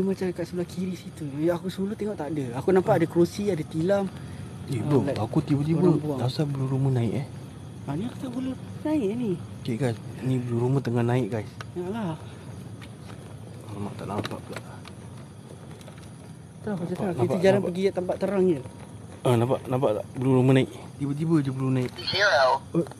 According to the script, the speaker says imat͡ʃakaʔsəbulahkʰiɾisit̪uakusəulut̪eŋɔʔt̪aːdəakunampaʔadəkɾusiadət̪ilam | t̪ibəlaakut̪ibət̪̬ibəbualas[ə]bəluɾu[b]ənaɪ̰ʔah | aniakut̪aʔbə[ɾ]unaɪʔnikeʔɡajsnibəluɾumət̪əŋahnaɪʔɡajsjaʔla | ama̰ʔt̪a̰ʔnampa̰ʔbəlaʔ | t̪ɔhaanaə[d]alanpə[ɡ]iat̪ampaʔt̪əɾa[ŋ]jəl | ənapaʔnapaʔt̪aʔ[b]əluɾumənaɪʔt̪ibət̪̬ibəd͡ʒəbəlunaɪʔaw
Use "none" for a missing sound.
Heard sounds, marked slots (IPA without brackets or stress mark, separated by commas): a, m, l, d͡ʒ, ɡ, ŋ, b